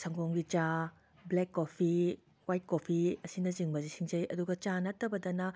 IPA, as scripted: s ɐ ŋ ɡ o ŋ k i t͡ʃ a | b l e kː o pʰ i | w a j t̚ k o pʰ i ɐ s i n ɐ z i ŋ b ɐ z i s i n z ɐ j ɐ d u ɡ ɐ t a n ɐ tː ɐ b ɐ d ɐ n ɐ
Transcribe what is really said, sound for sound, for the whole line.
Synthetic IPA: s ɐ ŋ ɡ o ŋ ɡ i t͡ʃ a | b l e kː o pʰ i | w a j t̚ k o pʰ i ɐ s i n ɐ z i ŋ b ɐ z i s i ŋ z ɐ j ɐ d u ɡ ɐ t͡ʃ a n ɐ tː ɐ b ɐ d ɐ n ɐ

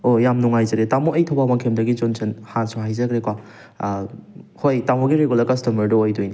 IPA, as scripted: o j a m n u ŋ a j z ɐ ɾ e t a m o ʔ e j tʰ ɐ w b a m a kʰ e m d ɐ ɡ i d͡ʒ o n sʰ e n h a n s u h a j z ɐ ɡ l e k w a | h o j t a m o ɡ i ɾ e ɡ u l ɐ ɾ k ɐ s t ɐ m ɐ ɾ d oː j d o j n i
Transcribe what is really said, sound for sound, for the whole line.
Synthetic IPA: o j a m n u ŋ a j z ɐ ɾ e t a m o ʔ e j tʰ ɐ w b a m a kʰ e m d ɐ ɡ i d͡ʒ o n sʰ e n h a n s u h a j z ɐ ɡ ɾ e k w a | h o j t a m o ɡ i ɾ e ɡ u l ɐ ɾ k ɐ s t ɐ m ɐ ɾ d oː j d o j n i

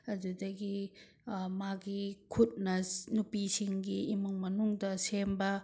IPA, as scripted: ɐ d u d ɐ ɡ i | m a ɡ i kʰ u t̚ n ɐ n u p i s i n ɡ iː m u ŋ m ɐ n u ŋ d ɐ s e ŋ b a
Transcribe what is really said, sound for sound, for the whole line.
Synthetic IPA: ɐ d u d ɐ ɡ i | m a ɡ i kʰ u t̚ n ɐ n u p i s i ŋ ɡ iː m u ŋ m ɐ n u ŋ d ɐ s e m b ɐ

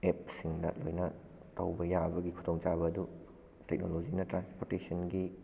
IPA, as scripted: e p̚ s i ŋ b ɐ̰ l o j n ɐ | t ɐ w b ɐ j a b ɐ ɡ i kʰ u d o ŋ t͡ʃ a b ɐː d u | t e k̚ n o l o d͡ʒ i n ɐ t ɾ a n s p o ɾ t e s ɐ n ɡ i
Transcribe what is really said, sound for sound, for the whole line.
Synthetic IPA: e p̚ s i ŋ d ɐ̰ l o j n ɐ | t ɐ w b ɐ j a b ɐ ɡ i kʰ u d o ŋ t͡ʃ a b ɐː d u | t e k̚ n o l o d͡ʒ i n ɐ t ɾ a n s p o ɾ t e s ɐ n ɡ i

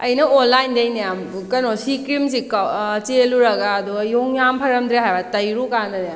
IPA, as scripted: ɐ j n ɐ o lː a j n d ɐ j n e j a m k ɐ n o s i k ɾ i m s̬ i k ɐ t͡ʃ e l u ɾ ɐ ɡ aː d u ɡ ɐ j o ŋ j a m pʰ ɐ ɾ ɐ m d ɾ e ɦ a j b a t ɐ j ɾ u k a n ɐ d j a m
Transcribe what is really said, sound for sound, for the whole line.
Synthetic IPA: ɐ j n ɐ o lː a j n d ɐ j n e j a m k ɐ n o s i k ɾ i m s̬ i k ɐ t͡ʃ e l u ɾ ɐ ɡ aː d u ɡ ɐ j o ŋ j a m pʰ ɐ ɾ ɐ m d ɾ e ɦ a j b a t ɐ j ɾ u k a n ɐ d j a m

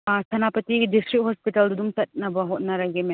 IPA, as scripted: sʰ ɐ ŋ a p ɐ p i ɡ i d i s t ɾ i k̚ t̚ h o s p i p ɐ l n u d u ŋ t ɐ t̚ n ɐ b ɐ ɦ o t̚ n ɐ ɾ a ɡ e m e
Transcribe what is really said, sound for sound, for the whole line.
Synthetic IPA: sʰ ɐ n a p ɐ t i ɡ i d i s t ɾ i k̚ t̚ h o s p i t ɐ l d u d u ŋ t ɐ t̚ n ɐ b ɐ ɦ o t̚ n ɐ ɾ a ɡ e m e

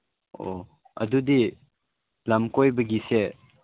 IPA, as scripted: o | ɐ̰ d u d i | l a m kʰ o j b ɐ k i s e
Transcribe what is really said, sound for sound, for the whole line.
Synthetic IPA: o | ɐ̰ d u d i | l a m k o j b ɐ ɡ i s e

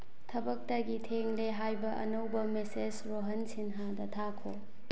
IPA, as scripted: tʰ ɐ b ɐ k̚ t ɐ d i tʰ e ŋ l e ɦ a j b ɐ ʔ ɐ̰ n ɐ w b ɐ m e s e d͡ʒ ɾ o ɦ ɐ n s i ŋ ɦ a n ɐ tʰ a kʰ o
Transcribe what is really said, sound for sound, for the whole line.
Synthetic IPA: tʰ ɐ b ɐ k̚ t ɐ ɡ i tʰ e ŋ l e ɦ a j b ɐ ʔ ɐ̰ n ɐ w b ɐ m e s e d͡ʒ ɾ o ɦ ɐ n s i n ɦ a d ɐ tʰ a kʰ o

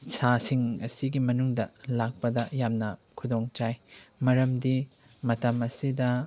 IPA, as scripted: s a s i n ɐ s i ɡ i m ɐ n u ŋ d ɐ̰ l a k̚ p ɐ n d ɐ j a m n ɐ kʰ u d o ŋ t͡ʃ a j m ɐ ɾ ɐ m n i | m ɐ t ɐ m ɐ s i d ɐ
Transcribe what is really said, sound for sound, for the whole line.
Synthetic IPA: s a s i ŋ ɐ s i ɡ i m ɐ n u ŋ d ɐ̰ l a k̚ p ɐ d ɐ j a m n ɐ kʰ u d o ŋ t͡ʃ a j m ɐ ɾ ɐ m d i | m ɐ t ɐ m ɐ s i d ɐ

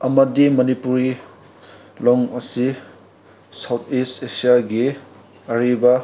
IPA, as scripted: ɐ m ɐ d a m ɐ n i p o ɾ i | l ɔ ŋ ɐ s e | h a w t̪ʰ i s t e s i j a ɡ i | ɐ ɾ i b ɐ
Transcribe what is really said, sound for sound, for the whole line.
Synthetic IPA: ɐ m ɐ d i m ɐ n i p u ɾ i | l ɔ ŋ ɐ s i | s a w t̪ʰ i s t e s i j a ɡ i | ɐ ɾ i b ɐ

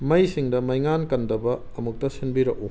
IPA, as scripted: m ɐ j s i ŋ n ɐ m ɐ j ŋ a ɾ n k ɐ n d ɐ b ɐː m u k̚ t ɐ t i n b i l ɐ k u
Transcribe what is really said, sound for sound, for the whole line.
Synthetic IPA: m ɐ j s i ŋ d ɐ m ɐ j ŋ a n k ɐ n d ɐ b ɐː m u k̚ t ɐ s i n b i ɾ ɐ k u

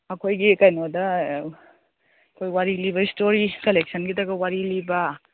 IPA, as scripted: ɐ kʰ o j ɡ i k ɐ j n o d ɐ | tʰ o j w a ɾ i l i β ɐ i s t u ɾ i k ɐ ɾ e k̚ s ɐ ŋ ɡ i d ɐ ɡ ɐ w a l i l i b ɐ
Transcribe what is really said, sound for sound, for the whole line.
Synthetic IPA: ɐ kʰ o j ɡ i k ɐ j n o d ɐ | kʰ o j w a ɾ i l i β ɐ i s t o ɾ i k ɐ l e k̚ s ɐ n ɡ i d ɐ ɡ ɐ w a ɾ i l i b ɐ

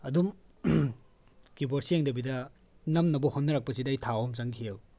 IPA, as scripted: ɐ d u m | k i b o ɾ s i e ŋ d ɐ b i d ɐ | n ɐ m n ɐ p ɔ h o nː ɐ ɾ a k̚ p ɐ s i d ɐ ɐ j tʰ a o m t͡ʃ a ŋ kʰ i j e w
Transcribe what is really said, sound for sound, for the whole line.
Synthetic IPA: ɐ d u m | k i b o ɾ s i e ŋ d ɐ b i d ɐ | n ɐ m n ɐ b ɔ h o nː ɐ ɾ a k̚ p ɐ s i d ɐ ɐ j tʰ a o m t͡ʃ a ŋ kʰ i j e w

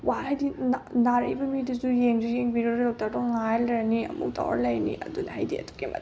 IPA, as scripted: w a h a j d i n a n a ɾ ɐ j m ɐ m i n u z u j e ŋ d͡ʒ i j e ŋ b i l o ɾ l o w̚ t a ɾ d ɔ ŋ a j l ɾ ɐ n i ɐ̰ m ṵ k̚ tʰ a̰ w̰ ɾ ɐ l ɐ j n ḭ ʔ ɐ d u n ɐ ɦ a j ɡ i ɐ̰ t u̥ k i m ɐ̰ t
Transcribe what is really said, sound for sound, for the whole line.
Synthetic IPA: w a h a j d i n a n a ɾ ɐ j b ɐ m i d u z u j e ŋ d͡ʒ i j e ŋ b i ɾ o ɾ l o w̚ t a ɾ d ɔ ŋ a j l ɾ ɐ n i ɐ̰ m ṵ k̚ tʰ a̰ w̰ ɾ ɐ l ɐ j n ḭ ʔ ɐ d u n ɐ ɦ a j d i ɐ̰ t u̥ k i m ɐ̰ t

